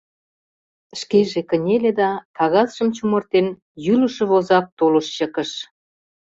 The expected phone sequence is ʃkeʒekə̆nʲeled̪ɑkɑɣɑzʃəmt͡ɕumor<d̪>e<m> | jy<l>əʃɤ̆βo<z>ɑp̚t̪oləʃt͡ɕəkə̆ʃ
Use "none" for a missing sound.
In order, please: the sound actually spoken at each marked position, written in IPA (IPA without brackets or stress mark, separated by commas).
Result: t̪, n, l, z